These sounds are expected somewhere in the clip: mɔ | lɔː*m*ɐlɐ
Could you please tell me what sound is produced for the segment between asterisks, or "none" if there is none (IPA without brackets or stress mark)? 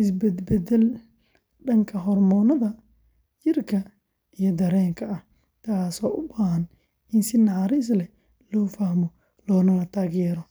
n